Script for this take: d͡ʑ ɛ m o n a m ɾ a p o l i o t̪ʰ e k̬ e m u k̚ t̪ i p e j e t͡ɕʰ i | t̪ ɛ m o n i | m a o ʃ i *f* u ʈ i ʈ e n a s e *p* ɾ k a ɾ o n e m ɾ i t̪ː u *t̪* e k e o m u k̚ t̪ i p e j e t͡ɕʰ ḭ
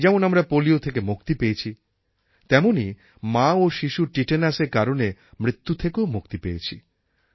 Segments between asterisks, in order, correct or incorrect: incorrect: ʃ, incorrect: none, incorrect: t̪ʰ

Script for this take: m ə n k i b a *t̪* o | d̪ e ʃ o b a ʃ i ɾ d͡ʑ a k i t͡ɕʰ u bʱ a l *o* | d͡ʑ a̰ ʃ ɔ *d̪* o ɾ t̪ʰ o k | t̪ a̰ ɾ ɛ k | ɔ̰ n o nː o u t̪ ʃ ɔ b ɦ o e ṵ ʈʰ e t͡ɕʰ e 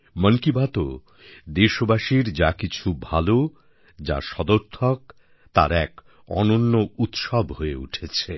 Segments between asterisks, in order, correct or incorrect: correct, correct, correct

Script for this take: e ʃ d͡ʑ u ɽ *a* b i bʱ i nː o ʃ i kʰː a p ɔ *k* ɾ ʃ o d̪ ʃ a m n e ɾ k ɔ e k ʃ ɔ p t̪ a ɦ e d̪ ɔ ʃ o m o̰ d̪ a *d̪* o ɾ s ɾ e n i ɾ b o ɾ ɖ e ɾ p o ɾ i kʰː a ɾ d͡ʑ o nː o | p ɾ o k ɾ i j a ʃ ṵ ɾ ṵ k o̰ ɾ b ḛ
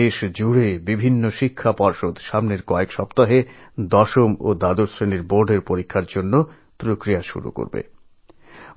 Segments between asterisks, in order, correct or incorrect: incorrect: e, incorrect: none, correct

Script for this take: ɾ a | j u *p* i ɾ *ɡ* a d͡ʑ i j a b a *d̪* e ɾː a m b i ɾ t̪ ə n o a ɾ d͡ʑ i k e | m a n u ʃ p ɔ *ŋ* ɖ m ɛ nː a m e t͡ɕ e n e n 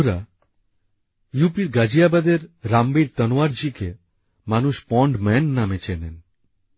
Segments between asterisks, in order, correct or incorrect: correct, correct, correct, incorrect: ɳ

